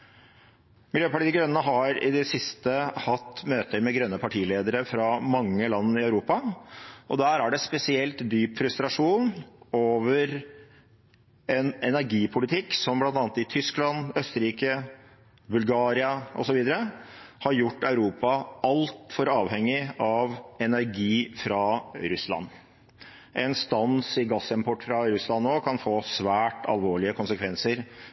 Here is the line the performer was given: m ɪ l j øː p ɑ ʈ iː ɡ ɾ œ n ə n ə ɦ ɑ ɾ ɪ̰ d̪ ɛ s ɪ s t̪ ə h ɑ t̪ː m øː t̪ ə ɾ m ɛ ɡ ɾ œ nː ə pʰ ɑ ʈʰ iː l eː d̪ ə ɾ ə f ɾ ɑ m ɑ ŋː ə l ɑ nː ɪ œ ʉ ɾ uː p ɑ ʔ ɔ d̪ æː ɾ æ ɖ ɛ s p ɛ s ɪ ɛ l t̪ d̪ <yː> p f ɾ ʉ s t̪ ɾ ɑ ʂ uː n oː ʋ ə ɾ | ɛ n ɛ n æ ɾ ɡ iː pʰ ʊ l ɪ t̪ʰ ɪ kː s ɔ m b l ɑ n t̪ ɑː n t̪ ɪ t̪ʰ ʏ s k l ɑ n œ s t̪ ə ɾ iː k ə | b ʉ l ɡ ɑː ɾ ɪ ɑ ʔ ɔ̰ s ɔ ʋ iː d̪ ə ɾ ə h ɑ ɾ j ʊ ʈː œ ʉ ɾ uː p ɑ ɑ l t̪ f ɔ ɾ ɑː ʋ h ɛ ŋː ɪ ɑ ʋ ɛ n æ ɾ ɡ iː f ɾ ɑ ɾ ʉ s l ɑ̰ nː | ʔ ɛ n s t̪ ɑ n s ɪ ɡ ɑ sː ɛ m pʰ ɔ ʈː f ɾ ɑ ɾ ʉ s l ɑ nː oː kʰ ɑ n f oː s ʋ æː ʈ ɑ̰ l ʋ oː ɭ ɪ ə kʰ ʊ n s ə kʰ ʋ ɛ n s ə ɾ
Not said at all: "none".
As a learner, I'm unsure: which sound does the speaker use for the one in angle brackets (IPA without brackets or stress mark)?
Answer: yː